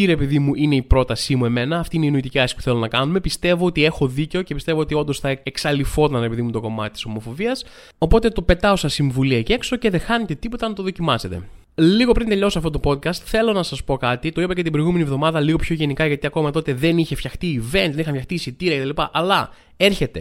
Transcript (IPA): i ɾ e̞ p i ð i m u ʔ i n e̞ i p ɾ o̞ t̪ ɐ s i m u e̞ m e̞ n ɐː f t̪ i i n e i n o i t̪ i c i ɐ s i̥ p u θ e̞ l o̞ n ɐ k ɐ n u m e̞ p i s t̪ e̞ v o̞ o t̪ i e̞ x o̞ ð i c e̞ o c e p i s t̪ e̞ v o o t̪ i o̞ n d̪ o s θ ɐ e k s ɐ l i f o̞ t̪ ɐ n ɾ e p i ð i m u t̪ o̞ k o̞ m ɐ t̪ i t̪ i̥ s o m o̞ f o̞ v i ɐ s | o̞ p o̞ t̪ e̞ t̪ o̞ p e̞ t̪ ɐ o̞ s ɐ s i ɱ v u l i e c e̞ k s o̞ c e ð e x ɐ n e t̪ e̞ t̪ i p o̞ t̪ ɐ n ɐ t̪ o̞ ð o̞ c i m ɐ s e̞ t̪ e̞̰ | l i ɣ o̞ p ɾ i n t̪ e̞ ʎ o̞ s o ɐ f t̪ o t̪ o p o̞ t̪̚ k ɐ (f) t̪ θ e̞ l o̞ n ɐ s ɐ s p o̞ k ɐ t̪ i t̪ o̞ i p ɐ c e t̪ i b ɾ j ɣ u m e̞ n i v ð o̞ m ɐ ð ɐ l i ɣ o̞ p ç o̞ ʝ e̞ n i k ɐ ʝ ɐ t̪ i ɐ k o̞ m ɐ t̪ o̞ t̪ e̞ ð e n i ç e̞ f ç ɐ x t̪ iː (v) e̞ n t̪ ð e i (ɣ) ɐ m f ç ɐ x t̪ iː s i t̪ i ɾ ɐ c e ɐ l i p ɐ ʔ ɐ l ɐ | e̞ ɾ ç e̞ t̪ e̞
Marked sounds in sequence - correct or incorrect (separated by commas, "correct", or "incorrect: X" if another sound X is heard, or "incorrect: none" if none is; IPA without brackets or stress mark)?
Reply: incorrect: s, correct, incorrect: x